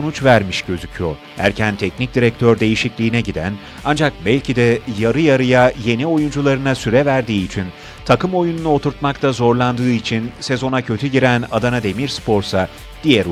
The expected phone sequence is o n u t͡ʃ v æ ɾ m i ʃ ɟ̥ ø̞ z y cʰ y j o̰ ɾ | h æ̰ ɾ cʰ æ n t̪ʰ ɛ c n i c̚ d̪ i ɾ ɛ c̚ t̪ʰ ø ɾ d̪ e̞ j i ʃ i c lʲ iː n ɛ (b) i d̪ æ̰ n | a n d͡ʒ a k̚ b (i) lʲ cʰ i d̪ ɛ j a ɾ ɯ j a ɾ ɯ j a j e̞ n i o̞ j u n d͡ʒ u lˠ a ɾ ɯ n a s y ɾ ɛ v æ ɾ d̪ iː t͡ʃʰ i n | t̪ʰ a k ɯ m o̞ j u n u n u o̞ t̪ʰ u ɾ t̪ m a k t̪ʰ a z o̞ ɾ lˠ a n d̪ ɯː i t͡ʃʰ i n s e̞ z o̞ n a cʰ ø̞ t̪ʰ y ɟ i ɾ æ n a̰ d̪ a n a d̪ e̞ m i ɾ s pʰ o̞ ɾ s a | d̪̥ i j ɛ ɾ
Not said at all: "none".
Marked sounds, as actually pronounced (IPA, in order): ɟ, æ

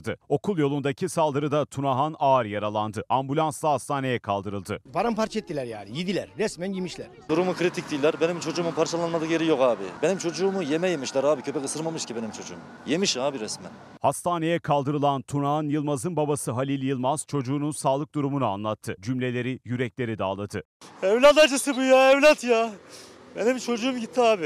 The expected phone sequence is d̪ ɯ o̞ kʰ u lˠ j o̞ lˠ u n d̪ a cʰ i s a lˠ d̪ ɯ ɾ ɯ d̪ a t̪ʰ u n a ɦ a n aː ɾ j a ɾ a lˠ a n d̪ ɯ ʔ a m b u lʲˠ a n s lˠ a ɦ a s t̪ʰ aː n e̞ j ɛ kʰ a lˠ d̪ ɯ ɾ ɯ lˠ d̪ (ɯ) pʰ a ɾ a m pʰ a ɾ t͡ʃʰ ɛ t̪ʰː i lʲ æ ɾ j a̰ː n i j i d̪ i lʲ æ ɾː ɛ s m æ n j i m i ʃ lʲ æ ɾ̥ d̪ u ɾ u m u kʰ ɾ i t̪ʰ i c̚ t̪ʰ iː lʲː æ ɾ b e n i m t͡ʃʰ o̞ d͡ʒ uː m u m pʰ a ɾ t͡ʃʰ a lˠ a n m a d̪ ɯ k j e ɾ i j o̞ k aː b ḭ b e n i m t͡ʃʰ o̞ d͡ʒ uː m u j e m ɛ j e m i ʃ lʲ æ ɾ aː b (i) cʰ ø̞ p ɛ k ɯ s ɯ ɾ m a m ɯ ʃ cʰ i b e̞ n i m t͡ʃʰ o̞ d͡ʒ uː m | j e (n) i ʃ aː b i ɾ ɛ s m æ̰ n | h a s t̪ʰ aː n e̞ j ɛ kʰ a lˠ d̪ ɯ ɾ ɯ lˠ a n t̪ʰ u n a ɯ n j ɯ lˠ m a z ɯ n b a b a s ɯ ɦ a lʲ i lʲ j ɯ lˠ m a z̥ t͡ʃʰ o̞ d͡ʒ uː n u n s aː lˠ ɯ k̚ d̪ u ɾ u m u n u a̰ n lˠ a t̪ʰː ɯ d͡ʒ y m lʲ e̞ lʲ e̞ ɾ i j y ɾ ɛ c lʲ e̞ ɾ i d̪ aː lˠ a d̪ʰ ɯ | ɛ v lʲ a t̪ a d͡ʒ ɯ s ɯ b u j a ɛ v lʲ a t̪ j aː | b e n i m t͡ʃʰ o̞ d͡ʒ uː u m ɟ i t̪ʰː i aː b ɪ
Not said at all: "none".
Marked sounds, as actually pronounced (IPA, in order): ɯ, i, m

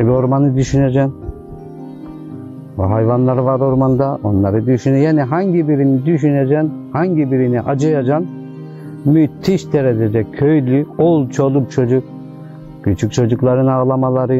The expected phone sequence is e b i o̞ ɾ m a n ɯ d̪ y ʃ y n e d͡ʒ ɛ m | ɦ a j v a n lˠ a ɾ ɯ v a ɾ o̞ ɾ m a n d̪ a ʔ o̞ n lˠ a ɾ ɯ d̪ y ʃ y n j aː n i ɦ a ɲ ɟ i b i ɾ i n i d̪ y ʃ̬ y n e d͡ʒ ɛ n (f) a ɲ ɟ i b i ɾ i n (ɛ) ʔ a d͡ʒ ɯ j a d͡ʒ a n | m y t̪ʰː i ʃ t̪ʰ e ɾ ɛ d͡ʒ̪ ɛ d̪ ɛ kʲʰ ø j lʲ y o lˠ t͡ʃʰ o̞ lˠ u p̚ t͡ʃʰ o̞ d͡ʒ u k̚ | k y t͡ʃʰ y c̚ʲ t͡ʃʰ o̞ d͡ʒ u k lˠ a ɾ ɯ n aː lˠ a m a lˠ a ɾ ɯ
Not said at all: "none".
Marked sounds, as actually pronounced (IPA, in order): h, i

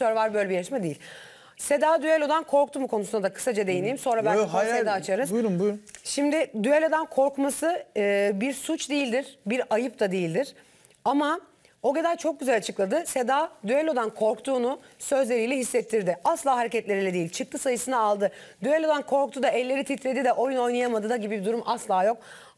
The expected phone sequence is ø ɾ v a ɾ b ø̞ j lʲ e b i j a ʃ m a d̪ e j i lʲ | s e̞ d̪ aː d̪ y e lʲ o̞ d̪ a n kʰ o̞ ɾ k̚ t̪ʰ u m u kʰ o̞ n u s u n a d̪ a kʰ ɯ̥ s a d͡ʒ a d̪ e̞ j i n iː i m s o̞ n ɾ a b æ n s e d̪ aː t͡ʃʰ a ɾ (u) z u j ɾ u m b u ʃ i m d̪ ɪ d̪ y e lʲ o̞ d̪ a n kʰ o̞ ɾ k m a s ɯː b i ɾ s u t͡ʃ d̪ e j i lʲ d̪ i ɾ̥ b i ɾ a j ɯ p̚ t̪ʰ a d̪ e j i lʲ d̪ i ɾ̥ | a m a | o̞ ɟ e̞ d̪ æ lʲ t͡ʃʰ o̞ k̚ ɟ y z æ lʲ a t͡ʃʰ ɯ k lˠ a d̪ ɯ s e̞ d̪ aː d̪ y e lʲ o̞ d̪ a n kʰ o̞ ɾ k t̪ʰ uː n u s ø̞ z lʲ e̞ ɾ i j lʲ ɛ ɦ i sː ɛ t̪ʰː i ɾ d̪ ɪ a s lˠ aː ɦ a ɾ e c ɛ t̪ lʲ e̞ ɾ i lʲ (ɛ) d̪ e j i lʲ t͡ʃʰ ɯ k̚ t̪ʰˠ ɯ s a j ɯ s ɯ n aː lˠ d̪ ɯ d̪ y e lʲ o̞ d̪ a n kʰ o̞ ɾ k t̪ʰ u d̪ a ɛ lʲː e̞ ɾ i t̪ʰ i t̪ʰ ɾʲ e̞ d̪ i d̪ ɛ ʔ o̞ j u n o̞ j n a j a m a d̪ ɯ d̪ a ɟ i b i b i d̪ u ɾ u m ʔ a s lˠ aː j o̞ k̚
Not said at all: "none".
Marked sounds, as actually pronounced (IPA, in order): ɯ, ɛ

